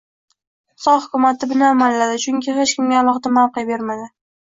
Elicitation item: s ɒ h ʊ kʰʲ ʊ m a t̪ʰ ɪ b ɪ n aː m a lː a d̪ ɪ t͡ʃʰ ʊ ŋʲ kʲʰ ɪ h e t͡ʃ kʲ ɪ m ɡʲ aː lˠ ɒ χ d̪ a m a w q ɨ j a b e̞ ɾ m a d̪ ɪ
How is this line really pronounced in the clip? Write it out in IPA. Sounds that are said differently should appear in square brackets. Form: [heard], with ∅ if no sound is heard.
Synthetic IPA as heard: s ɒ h ʊ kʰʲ ʊ m a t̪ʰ ɪ b ɪ n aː m a lː a d̪ ɪ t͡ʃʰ ʊ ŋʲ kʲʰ ɪ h e t͡ʃ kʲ ɪ m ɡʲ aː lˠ ɒ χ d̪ a m a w q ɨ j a b e̞ ɾ m a d̪ ɪ